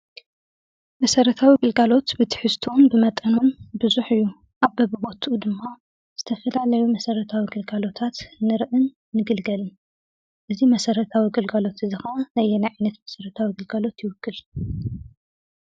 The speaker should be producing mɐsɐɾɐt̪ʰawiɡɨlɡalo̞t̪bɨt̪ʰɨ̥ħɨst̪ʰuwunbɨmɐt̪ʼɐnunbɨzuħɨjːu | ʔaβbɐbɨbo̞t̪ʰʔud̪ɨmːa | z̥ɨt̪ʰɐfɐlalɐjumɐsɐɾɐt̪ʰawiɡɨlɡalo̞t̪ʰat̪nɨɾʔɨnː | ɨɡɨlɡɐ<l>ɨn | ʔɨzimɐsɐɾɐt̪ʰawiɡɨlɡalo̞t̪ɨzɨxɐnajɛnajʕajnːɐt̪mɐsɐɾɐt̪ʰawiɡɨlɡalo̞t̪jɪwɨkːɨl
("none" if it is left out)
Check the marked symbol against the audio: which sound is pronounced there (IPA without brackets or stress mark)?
l